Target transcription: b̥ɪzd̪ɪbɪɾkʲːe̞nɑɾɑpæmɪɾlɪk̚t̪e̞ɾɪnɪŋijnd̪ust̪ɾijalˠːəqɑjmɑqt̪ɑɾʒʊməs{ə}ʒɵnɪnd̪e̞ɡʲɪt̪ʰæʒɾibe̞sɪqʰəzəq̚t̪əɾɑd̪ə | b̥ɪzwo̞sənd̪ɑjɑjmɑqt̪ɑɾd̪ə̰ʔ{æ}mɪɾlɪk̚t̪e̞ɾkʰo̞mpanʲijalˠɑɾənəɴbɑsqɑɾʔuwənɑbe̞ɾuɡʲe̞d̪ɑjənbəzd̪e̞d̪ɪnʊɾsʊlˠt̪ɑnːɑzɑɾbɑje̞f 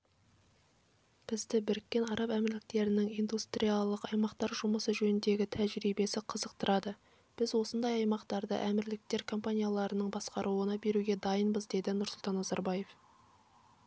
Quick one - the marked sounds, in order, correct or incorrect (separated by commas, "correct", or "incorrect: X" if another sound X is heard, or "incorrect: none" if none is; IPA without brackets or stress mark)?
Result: correct, correct